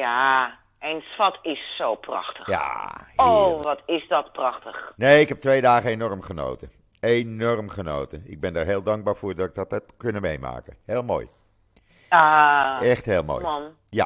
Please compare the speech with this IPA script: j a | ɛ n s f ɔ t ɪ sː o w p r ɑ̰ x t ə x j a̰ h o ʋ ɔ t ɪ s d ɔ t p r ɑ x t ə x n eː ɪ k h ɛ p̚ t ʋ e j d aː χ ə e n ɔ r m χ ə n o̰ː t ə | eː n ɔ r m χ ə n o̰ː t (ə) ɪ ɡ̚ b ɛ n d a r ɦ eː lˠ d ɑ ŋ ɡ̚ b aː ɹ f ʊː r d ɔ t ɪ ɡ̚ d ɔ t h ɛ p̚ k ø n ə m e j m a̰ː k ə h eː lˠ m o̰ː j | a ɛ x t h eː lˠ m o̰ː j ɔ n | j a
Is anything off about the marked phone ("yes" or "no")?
no